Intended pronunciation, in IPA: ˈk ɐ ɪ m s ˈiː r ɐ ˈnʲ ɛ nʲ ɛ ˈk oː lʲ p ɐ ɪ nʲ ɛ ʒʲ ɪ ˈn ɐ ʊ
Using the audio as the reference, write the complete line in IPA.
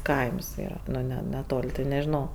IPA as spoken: ˈk ɐ ɪ m s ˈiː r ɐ ˈnʲ ɛ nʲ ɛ ˈt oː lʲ t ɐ ɪ nʲ ɛ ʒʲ ɪ ˈn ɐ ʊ